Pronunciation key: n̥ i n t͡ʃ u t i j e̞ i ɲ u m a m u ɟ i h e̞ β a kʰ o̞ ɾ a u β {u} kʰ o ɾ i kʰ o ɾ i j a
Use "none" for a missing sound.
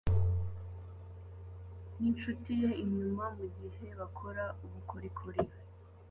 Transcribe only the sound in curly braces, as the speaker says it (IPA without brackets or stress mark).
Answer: u